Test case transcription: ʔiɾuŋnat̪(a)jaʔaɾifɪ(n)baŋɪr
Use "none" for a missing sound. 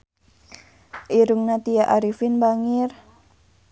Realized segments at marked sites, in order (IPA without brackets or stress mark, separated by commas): i, n